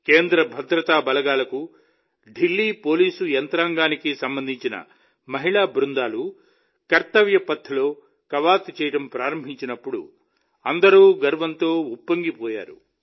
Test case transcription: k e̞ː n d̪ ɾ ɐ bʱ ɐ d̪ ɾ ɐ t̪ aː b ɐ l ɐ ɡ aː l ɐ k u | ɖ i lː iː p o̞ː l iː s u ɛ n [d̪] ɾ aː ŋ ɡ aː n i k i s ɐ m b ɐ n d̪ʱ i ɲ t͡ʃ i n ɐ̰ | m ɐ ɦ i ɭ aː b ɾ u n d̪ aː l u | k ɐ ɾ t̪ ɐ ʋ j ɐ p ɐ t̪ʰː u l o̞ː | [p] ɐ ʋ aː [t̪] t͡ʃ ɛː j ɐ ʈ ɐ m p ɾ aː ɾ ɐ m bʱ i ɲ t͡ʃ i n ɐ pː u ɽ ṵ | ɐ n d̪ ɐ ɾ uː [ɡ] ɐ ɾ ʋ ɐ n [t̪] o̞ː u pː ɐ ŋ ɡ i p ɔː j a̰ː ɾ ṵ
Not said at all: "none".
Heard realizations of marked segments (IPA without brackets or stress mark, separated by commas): t̪, k, t̪, ɡ, t̪